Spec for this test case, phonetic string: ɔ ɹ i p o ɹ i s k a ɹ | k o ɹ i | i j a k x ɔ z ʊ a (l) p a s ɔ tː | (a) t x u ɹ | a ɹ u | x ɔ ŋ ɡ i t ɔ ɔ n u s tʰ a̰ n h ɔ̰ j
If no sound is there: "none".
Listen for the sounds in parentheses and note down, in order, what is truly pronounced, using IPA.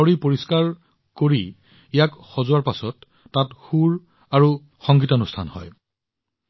ɹ, a

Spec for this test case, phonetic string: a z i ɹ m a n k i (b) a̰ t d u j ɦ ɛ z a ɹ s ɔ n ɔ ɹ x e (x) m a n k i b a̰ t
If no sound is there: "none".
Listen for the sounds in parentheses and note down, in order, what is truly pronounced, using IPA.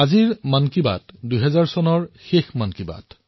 b, x

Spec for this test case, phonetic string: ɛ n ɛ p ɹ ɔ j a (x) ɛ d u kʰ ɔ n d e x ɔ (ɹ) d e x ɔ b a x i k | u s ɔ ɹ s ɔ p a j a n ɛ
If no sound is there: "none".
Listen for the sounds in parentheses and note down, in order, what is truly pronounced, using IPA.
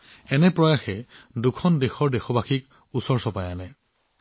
x, ɹ

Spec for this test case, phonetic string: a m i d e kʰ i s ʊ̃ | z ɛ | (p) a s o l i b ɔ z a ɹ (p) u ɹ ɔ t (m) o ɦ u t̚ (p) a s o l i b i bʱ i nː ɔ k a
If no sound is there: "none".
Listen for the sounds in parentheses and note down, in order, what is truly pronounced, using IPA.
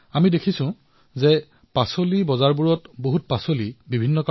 p, b, b, p

